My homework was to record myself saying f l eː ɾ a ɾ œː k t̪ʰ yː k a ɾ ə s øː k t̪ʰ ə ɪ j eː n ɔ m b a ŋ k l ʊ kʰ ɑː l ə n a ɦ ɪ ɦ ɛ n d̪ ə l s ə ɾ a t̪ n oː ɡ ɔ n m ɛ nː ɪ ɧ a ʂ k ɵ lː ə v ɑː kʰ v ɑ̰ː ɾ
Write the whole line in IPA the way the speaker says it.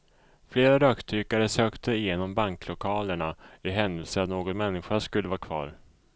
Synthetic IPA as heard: f l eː ɾ a ɾ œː k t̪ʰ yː k a ɾ ə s øː k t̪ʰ ə ɪ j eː n ɔ m b a ŋ k l ʊ kʰ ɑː l ə ɳ a ɪ ɦ ɛ n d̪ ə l s ə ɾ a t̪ n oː ɡ ɔ n m ɛ nː ɪ ɧ a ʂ k ɵ lː ə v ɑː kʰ v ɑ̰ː ɾ